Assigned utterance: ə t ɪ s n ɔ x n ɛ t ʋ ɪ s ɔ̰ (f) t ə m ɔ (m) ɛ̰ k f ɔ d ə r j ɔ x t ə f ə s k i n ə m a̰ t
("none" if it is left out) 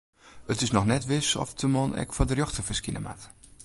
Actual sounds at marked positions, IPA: f, n

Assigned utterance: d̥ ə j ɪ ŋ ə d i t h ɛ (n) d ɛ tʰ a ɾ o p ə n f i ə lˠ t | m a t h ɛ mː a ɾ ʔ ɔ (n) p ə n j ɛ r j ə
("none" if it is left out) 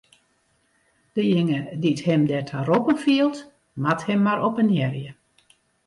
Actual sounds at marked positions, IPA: m, none

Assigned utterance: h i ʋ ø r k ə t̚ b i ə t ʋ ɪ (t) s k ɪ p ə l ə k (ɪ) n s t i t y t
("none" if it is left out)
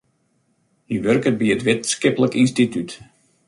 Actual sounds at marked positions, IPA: t, i

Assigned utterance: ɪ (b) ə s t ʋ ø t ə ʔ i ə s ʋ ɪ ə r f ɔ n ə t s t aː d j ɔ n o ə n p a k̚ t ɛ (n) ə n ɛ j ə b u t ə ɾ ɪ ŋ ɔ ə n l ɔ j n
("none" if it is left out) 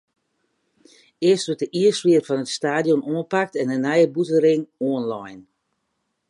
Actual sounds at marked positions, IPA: none, n

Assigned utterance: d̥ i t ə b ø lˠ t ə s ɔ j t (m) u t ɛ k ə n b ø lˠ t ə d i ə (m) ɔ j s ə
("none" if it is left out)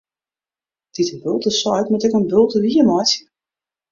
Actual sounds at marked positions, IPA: m, m

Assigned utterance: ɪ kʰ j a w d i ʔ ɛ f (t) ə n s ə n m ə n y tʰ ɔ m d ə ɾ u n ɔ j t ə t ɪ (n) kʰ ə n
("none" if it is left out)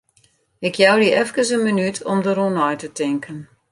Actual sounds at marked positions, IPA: k, ŋ

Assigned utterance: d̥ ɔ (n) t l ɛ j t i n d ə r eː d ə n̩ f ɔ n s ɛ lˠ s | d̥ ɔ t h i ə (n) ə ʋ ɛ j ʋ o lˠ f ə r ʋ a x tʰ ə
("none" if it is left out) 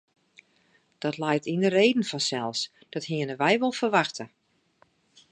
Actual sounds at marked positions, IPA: none, n

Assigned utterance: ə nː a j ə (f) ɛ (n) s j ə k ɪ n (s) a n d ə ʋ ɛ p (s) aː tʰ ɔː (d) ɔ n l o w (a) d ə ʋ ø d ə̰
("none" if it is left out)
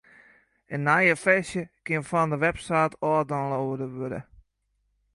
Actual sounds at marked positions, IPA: f, none, f, s, d, ə

